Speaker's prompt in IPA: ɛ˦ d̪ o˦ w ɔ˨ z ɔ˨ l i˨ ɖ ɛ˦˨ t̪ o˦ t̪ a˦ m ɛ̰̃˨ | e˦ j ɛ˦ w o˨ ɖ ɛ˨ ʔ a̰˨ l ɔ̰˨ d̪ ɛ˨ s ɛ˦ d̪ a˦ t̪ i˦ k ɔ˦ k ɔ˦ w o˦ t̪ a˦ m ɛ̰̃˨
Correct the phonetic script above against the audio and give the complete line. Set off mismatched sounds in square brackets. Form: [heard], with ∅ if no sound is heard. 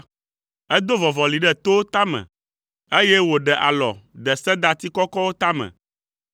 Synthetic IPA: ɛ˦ d̪ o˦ [v] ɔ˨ [v] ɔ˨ l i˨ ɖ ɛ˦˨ t̪ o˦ t̪ a˦ m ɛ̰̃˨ | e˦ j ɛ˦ w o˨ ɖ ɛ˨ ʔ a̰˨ l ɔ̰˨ d̪ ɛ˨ s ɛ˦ d̪ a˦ t̪ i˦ k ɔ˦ k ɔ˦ w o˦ t̪ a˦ m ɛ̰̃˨